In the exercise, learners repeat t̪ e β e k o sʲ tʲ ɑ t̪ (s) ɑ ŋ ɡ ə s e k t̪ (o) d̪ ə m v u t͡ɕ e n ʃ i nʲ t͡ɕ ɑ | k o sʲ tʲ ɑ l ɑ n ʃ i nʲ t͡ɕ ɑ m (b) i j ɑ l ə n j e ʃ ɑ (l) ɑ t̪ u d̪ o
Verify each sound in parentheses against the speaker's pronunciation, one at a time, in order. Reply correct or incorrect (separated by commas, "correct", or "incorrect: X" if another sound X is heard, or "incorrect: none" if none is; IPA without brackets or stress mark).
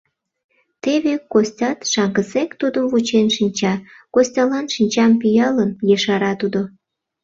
incorrect: ʃ, incorrect: u, incorrect: p, incorrect: ɾ